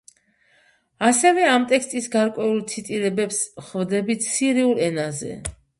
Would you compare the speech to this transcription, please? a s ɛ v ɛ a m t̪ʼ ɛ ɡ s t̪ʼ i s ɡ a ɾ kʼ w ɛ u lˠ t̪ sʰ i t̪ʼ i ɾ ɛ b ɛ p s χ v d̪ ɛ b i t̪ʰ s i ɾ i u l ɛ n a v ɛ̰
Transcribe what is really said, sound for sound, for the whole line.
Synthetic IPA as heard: a s ɛ v ɛ a m t̪ʼ ɛ k s t̪ʼ i s ɡ a ɾ kʼ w ɛ u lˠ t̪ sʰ i t̪ʼ i ɾ ɛ b ɛ p s χ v d̪ ɛ b i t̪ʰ s i ɾ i u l ɛ n a z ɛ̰